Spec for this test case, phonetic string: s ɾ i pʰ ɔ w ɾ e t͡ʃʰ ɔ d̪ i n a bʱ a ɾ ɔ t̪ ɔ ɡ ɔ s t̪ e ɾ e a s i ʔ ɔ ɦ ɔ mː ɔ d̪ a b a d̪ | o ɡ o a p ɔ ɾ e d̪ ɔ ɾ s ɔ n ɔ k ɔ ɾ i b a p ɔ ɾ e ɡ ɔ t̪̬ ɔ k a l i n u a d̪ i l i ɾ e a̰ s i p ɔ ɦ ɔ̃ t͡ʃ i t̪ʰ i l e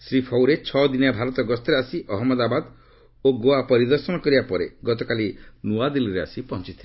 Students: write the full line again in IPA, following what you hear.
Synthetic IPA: s ɾ i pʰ ɔ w ɾ e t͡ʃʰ ɔ d̪ i n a bʱ a ɾ ɔ t̪ ɔ ɡ ɔ s t̪ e ɾ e a s i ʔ ɔ ɦ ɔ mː ɔ d̪ a b a d̪ | o ɡ o a p ɔ ɾ i d̪ ɔ ɾ s ɔ n ɔ k ɔ ɾ i b a p ɔ ɾ e ɡ ɔ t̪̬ ɔ k a l i n u a d̪ i l i ɾ e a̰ s i p ɔ ɦ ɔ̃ t͡ʃ i t̪ʰ i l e